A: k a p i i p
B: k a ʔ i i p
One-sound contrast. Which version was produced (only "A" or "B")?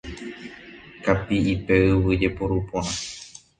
A